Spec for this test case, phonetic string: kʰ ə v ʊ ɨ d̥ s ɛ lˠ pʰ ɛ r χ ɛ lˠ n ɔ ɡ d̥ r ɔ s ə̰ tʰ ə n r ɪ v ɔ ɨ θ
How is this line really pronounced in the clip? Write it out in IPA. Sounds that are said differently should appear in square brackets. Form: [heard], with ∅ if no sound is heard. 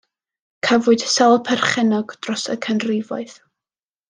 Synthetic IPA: kʰ ə v ʊ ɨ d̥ s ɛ lˠ pʰ ɛ r χ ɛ [∅] n ɔ ɡ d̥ r ɔ s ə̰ [kʰ] ə n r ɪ v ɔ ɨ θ